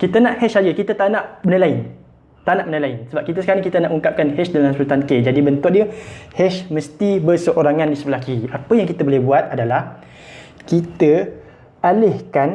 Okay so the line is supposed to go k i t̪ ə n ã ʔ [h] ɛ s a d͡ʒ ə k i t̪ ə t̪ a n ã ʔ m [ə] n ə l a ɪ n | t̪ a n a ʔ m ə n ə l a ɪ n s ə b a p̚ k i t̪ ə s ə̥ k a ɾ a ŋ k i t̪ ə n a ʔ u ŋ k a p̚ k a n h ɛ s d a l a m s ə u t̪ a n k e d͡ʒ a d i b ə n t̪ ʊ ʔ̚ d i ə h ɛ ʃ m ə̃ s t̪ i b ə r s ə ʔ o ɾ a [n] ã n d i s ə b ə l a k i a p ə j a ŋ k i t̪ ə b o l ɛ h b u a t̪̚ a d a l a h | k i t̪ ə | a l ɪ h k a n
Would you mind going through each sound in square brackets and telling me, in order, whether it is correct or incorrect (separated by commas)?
correct, correct, incorrect